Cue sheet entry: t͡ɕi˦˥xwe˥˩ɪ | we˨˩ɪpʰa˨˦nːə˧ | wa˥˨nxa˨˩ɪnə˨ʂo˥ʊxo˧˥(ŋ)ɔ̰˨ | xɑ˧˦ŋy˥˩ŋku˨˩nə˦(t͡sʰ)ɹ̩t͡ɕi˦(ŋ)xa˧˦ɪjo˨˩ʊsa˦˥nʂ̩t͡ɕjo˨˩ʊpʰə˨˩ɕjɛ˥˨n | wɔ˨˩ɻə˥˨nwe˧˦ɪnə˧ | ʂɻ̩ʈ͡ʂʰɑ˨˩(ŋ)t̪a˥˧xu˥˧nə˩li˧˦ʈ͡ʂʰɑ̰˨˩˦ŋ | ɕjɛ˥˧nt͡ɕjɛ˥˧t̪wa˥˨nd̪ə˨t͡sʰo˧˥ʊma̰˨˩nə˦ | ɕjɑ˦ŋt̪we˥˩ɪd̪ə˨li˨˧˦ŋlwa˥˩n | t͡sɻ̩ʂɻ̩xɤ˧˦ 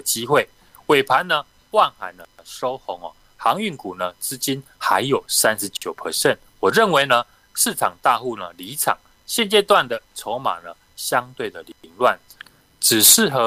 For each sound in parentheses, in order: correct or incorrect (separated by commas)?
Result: correct, incorrect, incorrect, correct